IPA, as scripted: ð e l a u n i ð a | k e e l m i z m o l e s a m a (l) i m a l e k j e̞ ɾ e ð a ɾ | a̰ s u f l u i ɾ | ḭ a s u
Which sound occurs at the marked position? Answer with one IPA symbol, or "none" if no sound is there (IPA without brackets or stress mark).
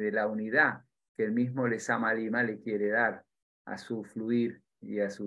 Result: l